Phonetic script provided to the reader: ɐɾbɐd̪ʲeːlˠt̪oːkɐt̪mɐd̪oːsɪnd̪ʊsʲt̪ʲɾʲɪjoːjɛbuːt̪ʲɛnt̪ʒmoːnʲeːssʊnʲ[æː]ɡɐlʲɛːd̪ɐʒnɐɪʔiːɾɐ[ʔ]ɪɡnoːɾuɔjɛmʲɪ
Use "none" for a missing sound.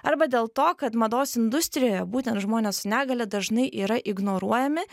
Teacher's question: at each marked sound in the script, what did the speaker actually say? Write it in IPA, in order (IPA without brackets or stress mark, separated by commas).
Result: æː, ʔ